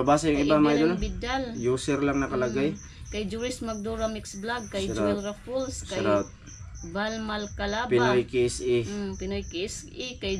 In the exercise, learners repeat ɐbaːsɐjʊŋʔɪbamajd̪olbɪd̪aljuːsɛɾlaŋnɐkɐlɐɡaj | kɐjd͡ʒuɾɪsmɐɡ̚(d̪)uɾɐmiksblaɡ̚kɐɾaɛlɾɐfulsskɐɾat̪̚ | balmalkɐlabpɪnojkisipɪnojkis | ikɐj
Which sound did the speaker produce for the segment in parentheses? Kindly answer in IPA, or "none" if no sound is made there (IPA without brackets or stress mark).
d̪